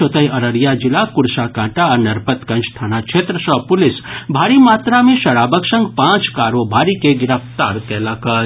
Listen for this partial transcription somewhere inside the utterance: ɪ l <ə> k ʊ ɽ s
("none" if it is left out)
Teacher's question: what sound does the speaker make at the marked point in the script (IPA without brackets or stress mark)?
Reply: a